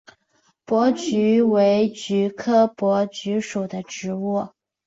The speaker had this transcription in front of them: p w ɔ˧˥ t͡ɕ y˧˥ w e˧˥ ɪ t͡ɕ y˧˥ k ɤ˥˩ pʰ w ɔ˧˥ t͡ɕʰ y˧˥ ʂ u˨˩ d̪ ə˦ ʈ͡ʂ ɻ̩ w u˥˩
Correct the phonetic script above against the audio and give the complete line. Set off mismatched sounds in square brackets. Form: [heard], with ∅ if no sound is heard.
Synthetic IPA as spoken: p w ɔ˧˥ t͡ɕ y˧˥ w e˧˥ ɪ t͡ɕ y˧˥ [kʰ] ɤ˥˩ [p] w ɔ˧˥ [t͡ɕ] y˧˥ ʂ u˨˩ d̪ ə˦ ʈ͡ʂ ɻ̩ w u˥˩